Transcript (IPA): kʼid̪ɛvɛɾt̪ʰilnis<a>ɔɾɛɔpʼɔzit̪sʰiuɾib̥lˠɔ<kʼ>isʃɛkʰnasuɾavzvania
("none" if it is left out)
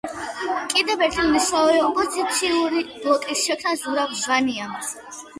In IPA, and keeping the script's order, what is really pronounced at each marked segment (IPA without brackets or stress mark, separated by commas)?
a, kʼ